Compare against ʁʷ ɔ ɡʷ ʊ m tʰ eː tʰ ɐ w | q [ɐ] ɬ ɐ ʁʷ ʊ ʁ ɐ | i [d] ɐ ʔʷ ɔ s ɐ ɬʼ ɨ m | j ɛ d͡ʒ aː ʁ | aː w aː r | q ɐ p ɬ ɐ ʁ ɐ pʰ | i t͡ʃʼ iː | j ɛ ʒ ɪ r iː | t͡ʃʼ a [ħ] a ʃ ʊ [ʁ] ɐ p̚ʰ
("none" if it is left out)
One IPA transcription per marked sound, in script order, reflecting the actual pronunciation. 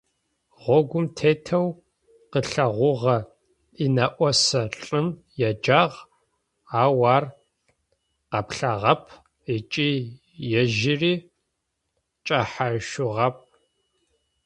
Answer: ə, n, ħ, ʁ

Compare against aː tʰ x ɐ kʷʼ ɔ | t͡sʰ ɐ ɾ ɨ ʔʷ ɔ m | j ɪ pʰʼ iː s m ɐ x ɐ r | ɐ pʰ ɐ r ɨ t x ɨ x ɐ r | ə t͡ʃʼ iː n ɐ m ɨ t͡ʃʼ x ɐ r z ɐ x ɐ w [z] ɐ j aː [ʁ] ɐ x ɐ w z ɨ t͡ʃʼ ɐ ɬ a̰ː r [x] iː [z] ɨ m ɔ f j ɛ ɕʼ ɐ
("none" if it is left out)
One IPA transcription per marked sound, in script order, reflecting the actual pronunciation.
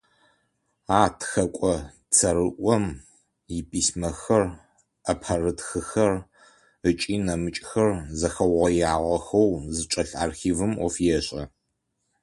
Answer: ʁ, ʁ, x, v

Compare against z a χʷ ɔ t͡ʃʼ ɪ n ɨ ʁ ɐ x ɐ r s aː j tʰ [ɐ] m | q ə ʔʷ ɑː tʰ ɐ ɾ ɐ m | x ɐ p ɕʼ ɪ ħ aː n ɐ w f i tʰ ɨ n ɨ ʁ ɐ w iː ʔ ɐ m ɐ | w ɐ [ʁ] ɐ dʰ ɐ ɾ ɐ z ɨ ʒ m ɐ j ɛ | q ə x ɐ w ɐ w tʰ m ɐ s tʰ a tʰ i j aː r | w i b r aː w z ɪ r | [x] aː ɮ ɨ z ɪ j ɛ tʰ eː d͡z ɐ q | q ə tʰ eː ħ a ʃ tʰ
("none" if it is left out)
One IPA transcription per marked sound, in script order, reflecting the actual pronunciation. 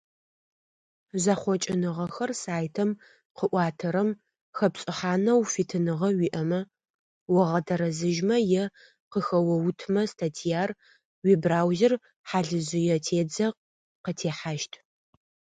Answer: ɐ, ʁ, ħ

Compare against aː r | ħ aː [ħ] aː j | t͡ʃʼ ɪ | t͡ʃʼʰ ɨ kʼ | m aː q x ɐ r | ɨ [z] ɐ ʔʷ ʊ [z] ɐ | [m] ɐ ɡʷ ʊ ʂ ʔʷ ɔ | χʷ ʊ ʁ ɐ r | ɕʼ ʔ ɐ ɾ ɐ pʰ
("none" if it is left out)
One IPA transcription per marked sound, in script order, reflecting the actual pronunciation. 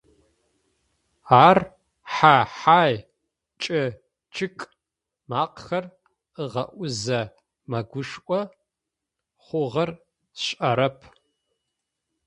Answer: ħ, ʁ, z, m

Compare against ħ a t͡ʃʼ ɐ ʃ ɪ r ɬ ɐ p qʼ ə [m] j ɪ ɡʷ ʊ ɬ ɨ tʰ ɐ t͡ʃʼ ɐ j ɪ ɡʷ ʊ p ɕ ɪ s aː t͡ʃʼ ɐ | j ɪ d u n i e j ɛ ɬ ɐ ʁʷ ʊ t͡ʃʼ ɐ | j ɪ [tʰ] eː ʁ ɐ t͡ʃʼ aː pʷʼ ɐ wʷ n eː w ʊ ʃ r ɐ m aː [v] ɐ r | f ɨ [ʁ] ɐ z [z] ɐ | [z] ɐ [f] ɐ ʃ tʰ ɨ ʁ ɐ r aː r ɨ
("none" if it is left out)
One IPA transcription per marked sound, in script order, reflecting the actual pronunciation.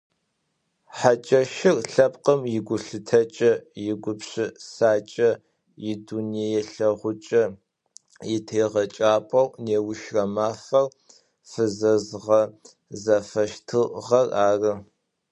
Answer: m, tʰ, f, z, ʁ, z, f

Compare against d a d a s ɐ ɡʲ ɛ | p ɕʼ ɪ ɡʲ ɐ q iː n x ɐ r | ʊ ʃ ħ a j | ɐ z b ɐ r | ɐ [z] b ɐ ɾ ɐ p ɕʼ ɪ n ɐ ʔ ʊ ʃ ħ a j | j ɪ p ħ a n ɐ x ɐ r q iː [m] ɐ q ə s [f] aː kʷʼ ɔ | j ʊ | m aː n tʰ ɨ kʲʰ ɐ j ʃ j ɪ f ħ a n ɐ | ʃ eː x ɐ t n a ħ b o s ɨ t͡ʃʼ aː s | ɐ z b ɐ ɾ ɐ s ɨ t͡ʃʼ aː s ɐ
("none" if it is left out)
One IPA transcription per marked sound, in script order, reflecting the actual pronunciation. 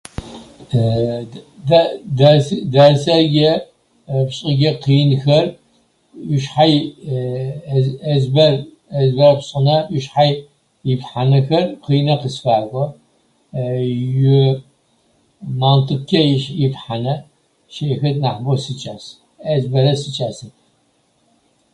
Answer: z, n, f

